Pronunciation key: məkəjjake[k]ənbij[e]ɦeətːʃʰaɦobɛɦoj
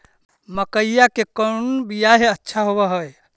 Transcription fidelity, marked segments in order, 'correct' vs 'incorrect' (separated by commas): correct, incorrect